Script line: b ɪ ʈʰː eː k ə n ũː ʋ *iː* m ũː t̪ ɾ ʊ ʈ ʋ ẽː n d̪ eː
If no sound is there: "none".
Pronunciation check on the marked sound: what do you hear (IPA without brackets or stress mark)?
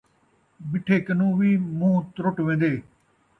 iː